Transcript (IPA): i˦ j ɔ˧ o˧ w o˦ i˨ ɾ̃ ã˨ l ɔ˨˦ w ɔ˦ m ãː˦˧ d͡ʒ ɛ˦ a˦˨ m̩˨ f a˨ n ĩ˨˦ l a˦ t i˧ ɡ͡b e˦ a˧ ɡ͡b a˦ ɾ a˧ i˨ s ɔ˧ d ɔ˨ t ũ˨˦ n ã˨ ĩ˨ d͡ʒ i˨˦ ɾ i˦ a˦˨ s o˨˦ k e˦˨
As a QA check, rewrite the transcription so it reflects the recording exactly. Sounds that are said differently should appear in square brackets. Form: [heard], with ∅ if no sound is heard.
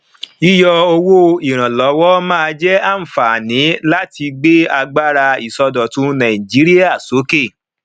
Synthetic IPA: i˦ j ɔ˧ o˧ w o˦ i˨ ɾ̃ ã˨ l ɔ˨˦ w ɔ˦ m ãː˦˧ d͡ʒ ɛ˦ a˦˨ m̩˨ f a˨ n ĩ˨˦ l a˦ t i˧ ɡ͡b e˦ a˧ ɡ͡b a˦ ɾ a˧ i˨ s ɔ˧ d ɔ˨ t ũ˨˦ n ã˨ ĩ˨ d͡ʒ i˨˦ ɾ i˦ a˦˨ s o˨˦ k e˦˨